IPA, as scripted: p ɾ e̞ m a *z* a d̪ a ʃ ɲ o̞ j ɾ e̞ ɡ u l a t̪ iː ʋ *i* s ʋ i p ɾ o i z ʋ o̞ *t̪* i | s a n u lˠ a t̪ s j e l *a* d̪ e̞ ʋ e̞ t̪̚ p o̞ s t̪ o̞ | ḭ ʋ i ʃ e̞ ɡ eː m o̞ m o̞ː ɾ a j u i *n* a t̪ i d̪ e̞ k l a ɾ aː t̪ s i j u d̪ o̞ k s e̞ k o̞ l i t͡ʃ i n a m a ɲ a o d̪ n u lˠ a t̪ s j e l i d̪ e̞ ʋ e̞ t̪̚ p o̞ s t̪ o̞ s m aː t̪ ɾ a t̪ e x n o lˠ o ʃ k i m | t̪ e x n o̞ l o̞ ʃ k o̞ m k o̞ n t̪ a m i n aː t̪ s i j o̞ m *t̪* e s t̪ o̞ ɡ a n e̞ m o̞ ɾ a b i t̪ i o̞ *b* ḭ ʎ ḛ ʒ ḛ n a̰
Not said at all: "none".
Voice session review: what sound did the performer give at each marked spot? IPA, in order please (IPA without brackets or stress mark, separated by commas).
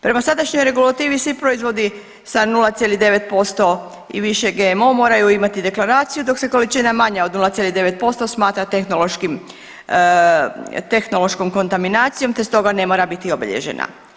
s, i, d̪, i, m, t̪, b